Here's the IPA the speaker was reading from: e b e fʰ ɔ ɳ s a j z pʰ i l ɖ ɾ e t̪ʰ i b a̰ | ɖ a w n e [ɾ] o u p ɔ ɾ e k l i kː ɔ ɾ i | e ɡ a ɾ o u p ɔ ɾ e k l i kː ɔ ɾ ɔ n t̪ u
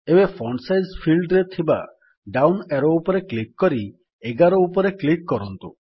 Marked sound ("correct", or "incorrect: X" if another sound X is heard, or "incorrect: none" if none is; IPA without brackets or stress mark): correct